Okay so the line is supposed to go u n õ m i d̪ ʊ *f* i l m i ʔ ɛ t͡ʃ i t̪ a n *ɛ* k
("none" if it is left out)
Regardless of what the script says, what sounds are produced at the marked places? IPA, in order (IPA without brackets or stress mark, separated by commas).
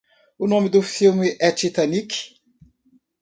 f, i